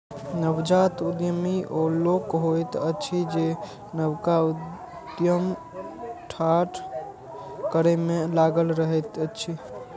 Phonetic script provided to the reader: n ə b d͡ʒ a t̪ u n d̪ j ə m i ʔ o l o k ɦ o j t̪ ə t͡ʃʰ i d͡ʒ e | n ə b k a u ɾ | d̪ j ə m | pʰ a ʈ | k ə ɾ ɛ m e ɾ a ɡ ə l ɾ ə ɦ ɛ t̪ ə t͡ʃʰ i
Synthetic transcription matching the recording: n ə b d͡ʒ a t̪ u d̪ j ə m i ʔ o l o k ɦ o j t̪ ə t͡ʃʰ i d͡ʒ e | n ə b k a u | d̪ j ə m | ʈʰ a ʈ | k ə ɾ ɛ m e l a ɡ ə l ɾ ə ɦ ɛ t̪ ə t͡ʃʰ i